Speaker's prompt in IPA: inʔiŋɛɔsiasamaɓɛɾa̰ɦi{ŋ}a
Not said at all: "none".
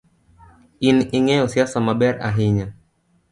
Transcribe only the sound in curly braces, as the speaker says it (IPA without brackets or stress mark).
ɲ